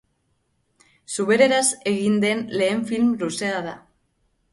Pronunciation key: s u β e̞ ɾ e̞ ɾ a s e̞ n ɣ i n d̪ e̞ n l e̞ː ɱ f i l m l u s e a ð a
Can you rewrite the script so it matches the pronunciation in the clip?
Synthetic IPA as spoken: s u β e̞ ɾ e̞ ɾ a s e̞ ɣ i n d̪ e̞ n l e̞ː ɱ f i l m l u s e a ð a